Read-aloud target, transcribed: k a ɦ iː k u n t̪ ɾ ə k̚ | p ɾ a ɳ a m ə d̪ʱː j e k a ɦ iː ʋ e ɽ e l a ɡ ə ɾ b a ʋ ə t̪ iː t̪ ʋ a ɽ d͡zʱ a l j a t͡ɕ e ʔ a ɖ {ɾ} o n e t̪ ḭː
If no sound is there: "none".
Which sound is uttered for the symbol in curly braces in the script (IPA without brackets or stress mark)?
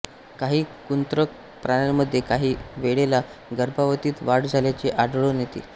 ɭ